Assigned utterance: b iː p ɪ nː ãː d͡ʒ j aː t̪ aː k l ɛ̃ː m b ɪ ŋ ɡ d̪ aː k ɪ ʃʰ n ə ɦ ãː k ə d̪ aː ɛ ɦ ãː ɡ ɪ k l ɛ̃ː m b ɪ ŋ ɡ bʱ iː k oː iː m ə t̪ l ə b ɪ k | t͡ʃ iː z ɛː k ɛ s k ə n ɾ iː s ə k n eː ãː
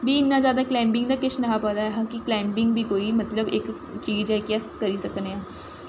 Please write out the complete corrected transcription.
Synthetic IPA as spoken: b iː ɪ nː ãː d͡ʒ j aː d̪ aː k l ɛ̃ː m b ɪ ŋ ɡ d̪ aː k ɪ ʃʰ n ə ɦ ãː p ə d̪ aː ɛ ɦ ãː k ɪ k l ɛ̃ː m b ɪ ŋ ɡ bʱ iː k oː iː m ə t̪ l ə b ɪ k | t͡ʃ iː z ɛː k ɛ s k ə ɾ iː s ə k n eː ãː

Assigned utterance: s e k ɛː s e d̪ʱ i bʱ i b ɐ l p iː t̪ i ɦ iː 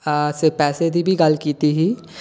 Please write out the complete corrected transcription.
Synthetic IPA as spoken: s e p ɛː s e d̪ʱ i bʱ i ɡ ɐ l k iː t̪ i ɦ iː

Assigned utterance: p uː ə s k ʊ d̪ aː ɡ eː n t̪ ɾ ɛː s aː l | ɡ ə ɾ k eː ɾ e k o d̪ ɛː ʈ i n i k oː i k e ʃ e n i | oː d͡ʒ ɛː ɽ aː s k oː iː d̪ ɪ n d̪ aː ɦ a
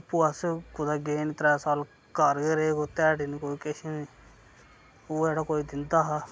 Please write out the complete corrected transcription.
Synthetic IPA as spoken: p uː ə s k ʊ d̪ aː ɡ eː n t̪ ɾ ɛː s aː l | k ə ɾ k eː ɾ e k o t̪ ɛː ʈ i n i k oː i k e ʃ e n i | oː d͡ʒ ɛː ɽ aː k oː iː d̪ ɪ n d̪ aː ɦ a

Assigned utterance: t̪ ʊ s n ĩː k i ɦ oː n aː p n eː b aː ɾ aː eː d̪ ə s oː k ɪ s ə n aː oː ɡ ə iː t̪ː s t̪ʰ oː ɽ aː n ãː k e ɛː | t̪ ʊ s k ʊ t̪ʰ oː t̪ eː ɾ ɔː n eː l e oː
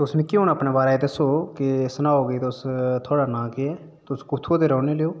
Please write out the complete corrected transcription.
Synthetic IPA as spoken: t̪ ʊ s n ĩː k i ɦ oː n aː p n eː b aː ɾ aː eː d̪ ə s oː k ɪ s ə n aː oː ɡ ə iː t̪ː s t̪ʰ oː ɽ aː n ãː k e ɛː | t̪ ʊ s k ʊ t̪ʰ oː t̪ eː ɾ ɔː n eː l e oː

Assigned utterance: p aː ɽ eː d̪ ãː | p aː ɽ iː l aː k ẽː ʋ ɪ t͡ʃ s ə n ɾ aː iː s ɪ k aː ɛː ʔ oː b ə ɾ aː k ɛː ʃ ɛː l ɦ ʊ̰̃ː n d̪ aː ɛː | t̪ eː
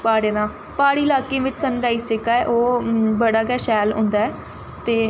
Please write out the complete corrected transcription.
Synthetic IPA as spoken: p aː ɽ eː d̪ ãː | p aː ɽ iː l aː k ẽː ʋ ɪ t͡ʃ s ə n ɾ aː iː s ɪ k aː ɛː ʔ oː b ə ɽ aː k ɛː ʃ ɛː l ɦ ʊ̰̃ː n d̪ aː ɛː | t̪ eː

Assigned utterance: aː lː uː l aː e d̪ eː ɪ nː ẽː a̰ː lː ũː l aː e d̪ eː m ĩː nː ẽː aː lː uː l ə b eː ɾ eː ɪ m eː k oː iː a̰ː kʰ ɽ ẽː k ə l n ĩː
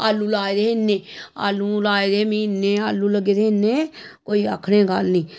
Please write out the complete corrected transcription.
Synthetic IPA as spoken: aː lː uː l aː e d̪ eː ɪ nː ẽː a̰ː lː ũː l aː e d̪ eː m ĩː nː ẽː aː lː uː l ə ɡ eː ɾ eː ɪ n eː k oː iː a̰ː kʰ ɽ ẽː ɡ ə l n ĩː

